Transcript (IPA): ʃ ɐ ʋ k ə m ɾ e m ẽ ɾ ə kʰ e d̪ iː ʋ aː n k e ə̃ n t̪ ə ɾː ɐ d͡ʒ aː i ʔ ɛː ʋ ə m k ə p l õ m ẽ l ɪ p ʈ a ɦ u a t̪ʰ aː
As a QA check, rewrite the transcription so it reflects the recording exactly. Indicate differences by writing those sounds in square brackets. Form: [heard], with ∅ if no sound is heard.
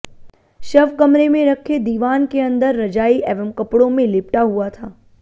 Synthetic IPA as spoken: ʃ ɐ ʋ k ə m ɾ e m ẽ ɾ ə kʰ e d̪ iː ʋ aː n k e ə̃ n [d̪] ə ɾː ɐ d͡ʒ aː i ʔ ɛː ʋ ə m k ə p [ɽ] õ m ẽ l ɪ p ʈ a ɦ u a t̪ʰ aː